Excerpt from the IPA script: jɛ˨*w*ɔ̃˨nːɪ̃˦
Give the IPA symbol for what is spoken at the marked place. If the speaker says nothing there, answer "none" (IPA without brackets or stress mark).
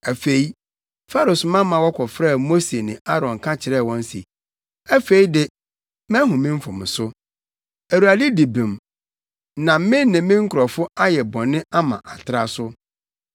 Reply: b